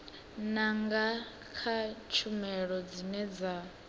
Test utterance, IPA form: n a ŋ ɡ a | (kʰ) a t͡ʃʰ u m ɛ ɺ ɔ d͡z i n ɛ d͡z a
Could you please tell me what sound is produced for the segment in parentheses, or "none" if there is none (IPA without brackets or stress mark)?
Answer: kʰ